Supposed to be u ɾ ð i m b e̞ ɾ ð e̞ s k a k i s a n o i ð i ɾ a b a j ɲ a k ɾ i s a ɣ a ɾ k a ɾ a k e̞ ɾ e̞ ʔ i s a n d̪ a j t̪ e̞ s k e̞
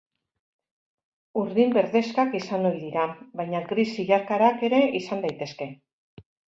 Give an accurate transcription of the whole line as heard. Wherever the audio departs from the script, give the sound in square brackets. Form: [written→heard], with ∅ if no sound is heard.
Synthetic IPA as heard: u ɾ ð i m b e̞ ɾ ð e̞ s k a k i s a n o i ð i ɾ a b a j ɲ a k ɾ i s [a→i] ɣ a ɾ k a ɾ a k e̞ ɾ e̞ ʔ i s a n d̪ a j t̪ e̞ s k e̞